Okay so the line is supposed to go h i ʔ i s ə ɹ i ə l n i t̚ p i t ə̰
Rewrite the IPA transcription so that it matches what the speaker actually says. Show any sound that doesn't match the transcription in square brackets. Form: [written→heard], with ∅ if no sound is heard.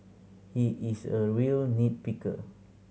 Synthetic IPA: h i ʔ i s ə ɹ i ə l n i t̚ p i [t→k] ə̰